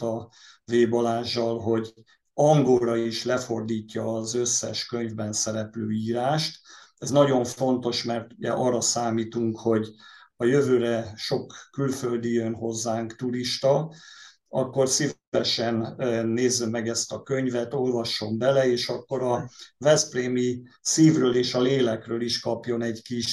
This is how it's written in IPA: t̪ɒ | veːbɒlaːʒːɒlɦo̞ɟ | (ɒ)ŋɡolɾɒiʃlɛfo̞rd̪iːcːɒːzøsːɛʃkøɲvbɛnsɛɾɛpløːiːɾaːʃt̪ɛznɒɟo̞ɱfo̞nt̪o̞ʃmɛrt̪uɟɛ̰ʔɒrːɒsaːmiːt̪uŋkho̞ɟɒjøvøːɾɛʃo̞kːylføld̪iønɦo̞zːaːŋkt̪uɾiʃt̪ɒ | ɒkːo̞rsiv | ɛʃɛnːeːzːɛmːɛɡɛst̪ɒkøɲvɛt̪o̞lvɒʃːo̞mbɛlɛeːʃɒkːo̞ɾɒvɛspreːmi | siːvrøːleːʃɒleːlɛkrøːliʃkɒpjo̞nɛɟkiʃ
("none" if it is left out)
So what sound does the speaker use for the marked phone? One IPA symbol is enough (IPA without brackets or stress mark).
ɒ